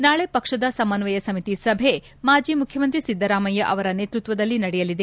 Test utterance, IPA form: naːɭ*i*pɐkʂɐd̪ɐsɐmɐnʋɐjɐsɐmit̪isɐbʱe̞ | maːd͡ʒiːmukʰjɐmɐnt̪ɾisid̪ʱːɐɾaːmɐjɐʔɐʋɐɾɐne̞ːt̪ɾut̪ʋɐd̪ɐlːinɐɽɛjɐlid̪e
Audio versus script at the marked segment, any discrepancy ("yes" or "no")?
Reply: yes